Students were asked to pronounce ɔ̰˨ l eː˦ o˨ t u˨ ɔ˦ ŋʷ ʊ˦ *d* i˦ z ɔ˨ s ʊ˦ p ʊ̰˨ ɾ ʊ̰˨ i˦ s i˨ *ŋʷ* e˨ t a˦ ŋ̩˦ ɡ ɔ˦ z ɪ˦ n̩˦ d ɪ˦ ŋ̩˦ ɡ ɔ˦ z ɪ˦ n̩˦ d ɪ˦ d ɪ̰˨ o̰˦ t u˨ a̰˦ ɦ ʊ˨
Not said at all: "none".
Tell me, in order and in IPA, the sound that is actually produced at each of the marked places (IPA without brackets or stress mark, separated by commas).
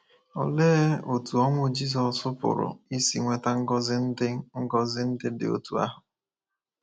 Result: d͡ʒ, ŋʷ